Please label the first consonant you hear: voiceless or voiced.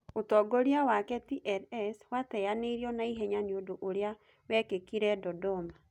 voiceless